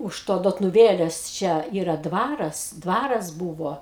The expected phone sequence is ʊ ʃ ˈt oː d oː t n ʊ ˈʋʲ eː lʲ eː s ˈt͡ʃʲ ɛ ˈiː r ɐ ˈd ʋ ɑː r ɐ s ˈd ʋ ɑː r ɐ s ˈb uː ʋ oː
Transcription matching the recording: ʊ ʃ ˈt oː d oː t n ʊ ˈʋʲ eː lʲ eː s ˈt͡ʃʲ ɛ ˈiː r ɐ ˈd ʋ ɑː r ɐ s ˈd ʋ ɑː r ɐ s ˈb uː ʋ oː